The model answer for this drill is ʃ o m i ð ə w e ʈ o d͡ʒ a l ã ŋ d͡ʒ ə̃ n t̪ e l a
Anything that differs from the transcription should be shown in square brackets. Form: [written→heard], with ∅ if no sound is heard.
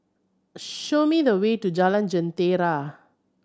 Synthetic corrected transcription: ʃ o m i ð ə w e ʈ [o→u] d͡ʒ a l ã [ŋ→n] d͡ʒ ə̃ n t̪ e [l→ɾ] a